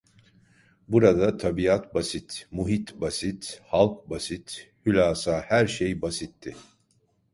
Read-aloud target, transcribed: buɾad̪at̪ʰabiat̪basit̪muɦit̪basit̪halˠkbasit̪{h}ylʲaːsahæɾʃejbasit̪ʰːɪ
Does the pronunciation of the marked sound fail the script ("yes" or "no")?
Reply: no